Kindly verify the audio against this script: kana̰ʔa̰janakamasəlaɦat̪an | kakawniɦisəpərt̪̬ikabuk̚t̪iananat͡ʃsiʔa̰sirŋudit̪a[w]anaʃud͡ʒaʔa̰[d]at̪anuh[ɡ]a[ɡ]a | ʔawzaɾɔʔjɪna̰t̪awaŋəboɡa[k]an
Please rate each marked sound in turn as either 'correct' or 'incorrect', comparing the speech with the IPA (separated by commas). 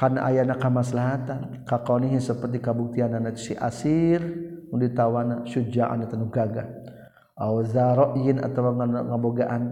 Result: correct, incorrect, correct, correct, incorrect